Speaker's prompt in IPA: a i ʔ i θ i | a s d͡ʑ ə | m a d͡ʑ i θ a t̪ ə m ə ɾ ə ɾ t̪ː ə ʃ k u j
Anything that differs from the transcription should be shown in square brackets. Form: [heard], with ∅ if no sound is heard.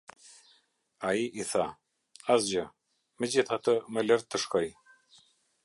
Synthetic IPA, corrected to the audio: a i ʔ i θ [a] | a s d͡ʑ ə | m [ə] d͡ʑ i θ a t̪ ə m ə [l] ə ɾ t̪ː ə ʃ k [ɔ] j